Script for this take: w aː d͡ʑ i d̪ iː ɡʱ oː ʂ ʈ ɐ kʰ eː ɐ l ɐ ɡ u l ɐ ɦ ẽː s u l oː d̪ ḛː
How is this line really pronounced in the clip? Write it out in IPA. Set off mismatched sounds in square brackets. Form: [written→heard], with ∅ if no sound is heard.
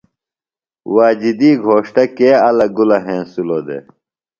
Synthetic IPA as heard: w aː d͡ʑ i d̪ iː ɡʱ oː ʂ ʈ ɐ [kʰ→k] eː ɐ l ɐ ɡ u l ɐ ɦ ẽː s u l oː d̪ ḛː